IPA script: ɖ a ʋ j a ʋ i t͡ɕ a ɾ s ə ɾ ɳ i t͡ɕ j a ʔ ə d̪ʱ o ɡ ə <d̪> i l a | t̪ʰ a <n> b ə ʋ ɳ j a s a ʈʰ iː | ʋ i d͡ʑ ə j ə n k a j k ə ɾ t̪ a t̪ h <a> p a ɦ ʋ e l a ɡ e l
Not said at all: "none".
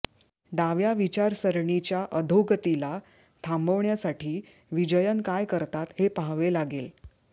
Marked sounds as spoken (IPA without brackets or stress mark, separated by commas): t̪, m, e